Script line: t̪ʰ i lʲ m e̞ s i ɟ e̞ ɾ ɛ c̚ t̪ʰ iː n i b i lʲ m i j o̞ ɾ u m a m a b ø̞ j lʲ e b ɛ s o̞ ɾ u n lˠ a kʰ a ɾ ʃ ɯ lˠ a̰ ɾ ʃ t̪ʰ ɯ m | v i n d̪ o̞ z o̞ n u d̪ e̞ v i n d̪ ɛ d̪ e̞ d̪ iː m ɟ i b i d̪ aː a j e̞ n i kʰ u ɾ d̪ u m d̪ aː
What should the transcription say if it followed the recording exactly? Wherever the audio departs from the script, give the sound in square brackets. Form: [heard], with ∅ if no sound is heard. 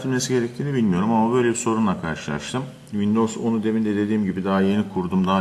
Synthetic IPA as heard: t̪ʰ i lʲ m e̞ s i ɟ e̞ ɾ ɛ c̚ t̪ʰ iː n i b i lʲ m i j o̞ ɾ u m a m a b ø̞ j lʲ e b [i] s o̞ ɾ u n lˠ a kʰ a ɾ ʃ ɯ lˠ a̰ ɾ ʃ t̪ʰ ɯ m | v i n d̪ o̞ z o̞ n u d̪ e̞ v i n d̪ ɛ d̪ e̞ d̪ iː m ɟ i b i d̪ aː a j e̞ n i kʰ u ɾ d̪ u m d̪ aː